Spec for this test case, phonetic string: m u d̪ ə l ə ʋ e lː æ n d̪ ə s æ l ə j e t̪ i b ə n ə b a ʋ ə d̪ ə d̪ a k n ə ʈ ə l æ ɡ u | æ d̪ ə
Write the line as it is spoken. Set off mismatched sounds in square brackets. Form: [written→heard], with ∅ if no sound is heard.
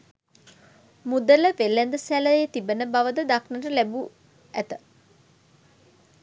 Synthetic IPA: m u d̪ ə l ə ʋ e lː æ n d̪ ə s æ l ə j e t̪ i b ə n ə b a ʋ ə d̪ ə d̪ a k n ə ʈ ə l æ [ɡ→b] u | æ [d̪→t̪] ə

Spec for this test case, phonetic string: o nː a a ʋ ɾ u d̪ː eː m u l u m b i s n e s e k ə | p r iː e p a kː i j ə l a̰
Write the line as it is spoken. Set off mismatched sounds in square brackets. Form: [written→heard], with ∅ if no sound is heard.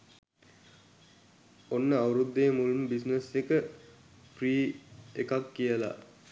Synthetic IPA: o nː [a→ə] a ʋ ɾ u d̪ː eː m u l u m b i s n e s e k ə | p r iː e [p→k] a kː i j ə l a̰

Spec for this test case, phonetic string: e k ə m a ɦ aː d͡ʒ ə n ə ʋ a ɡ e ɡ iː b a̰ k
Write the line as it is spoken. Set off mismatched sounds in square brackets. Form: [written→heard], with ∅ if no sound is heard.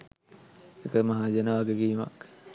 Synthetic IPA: e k ə m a ɦ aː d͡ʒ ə n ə ʋ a ɡ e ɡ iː [b→m] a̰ k

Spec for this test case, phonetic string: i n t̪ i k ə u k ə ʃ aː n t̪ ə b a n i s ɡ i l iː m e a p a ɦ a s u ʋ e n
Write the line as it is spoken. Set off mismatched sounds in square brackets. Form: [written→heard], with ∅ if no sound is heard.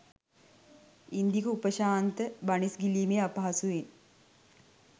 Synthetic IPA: i n [t̪→d̪] i k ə u [k→p] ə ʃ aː n t̪ ə b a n i s ɡ i l iː m e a p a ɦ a s u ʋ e n

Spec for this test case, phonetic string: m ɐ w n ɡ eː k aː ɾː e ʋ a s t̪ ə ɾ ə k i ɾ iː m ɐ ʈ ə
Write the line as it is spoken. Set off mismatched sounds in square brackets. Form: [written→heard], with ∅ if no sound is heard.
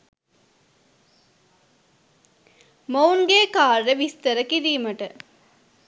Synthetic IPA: m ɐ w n ɡ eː k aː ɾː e ʋ [a→i] s t̪ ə ɾ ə k i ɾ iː m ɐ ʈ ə

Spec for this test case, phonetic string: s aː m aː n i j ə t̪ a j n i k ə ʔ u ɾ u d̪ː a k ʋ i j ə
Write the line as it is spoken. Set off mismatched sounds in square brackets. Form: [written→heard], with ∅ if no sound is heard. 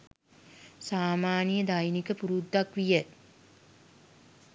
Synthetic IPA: s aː m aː n i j ə [t̪→d̪] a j n i k ə [ʔ→p] u ɾ u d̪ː a k ʋ i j ə

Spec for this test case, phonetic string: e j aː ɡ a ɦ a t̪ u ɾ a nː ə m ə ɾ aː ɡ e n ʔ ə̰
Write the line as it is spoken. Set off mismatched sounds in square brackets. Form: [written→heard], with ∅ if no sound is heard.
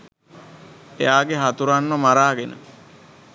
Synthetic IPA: e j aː ɡ [a→e] ɦ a t̪ u ɾ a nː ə m [ə→a] ɾ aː ɡ e n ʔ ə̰

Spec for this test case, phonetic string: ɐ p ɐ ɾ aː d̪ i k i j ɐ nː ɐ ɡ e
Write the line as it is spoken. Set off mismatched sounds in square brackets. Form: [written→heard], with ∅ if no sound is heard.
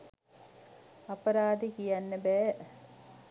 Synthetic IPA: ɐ p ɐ ɾ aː d̪ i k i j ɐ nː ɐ [ɡ→b] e

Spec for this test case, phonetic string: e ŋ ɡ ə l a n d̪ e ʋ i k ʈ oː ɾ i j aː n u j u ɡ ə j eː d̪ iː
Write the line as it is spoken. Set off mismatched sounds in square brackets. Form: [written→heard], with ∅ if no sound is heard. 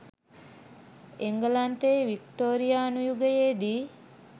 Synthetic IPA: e ŋ ɡ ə l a n [d̪→t̪] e ʋ i k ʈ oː ɾ i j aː n u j u ɡ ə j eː d̪ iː

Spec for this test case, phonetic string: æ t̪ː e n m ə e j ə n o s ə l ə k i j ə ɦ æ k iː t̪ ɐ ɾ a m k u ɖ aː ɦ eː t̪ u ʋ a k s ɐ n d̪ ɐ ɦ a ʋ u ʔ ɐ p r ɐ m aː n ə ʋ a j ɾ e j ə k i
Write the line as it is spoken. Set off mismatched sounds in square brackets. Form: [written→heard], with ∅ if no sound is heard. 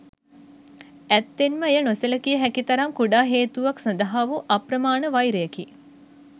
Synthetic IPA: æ t̪ː e n m ə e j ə n o s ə l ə k i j ə ɦ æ k [iː→i] t̪ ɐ ɾ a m k u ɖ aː ɦ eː t̪ u ʋ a k s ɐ n d̪ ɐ ɦ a ʋ u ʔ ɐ p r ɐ m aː n ə ʋ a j ɾ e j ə k i

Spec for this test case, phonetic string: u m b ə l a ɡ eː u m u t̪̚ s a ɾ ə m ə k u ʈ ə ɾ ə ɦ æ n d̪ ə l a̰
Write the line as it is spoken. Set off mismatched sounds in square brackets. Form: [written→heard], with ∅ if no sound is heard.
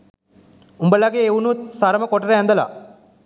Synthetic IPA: u m b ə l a ɡ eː u [m→n] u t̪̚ s a ɾ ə m ə k [u→o] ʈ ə ɾ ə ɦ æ n d̪ ə l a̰

